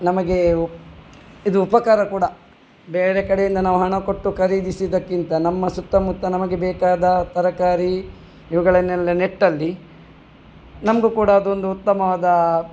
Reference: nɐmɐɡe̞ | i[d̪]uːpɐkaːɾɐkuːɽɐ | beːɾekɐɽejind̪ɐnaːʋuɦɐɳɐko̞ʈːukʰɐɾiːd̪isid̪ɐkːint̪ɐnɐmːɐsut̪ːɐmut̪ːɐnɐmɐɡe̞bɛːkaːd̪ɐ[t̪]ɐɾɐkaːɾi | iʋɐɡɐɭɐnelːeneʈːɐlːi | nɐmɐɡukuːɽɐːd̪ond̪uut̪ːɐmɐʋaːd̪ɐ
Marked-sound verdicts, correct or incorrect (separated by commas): correct, correct